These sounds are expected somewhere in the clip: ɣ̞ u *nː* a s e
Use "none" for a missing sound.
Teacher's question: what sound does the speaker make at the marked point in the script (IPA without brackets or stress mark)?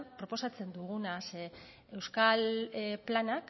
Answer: n